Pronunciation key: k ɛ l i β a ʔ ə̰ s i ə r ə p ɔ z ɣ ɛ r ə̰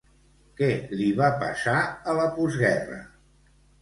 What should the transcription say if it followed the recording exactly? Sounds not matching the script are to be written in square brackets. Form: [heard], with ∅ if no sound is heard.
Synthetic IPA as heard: k ɛ l i β a [p] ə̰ s [a] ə [l] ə p [u] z ɣ ɛ r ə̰